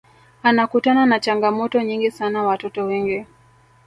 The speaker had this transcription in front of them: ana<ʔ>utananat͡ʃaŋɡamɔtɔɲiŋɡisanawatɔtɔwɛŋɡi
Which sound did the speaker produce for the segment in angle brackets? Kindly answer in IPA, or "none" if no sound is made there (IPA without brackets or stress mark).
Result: k